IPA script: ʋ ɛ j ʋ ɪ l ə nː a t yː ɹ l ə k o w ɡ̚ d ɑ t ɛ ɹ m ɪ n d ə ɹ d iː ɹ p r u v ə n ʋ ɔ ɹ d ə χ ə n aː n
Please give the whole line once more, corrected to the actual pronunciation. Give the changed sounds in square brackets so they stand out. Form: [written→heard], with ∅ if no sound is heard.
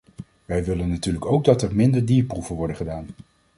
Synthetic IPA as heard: ʋ ɛ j ʋ ɪ l ə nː a t yː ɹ l ə k o w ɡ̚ d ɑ t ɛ ɹ m ɪ n d ə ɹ d iː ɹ p r u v ə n ʋ ɔ ɹ d ə χ ə [n→d] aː n